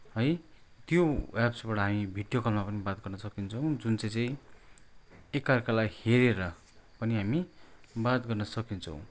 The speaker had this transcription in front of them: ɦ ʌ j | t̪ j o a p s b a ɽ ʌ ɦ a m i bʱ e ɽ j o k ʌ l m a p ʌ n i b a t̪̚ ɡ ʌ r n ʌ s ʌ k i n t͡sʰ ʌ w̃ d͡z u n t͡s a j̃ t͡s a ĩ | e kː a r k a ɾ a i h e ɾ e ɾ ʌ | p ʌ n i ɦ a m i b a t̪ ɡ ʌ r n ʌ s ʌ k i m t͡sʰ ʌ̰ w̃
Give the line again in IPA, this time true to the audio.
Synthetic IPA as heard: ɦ ʌ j | t̪ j o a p s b a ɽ ʌ ɦ a m i bʱ i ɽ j o k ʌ l m a p ʌ n i b a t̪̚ ɡ ʌ r n ʌ s ʌ k i n t͡sʰ ʌ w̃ d͡z u n t͡s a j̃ t͡s a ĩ | e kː a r k a l a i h e ɾ e ɾ ʌ | p ʌ n i ɦ a m i b a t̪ ɡ ʌ r n ʌ s ʌ k i n t͡sʰ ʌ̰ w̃

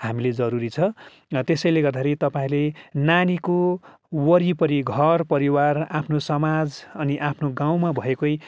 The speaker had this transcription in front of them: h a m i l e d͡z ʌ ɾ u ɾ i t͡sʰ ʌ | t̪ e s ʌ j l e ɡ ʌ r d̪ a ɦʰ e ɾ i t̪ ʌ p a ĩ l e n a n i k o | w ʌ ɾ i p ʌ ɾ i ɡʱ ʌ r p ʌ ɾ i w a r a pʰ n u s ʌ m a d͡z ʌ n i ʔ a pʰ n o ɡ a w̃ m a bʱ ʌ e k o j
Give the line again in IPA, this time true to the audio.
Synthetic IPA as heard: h a m i l e d͡z ʌ ɾ u ɾ i t͡sʰ ʌ | t̪ e s ʌ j l e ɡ ʌ r d̪ a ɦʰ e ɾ i t̪ ʌ p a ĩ l e n a n i k o | w ʌ ɾ i p ʌ ɾ i ɡʱ ʌ r p ʌ ɾ i w a r a pʰ n o s ʌ m a d͡z ʌ n i ʔ a pʰ n o ɡ a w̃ m a bʱ ʌ e k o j

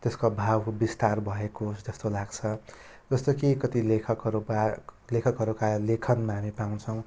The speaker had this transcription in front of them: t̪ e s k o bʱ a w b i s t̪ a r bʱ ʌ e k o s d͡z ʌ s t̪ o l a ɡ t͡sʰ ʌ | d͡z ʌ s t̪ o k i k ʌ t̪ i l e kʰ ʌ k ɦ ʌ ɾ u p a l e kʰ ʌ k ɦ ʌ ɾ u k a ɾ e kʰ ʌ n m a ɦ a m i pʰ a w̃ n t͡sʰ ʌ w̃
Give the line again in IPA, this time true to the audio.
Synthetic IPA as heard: t̪ e s k o bʱ a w b i s t̪ a r bʱ ʌ e k o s d͡z ʌ s t̪ o l a ɡ t͡sʰ ʌ | d͡z ʌ s t̪ o k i k ʌ t̪ i l e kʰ ʌ k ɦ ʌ ɾ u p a l e kʰ ʌ k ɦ ʌ ɾ u k a l e kʰ ʌ n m a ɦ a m i p a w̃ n t͡sʰ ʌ w̃

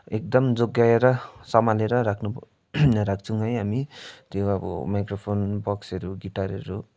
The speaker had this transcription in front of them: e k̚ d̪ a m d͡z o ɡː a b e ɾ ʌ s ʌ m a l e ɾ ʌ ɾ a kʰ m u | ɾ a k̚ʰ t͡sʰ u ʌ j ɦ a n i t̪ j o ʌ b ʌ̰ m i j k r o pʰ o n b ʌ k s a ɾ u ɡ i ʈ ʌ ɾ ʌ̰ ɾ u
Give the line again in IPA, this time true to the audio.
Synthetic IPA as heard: e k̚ d̪ ʌ m d͡z o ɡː a e ɾ ʌ s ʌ m a l e ɾ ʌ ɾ a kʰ n u | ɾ a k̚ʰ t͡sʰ u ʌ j ɦ a m i t̪ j o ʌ b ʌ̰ m a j k r o pʰ o n b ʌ k s ʌ ɾ u ɡ i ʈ a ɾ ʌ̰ ɾ u

